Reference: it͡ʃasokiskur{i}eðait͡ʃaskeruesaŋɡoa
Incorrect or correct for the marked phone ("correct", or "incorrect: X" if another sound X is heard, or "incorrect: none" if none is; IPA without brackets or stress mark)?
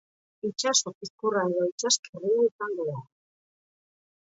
incorrect: a